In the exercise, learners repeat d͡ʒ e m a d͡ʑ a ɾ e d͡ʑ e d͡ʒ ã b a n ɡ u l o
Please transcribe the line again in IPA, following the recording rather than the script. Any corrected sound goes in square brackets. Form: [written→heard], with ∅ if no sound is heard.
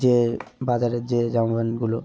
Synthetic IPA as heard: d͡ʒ e [m→b] a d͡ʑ a ɾ e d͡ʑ e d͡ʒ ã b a n ɡ u l o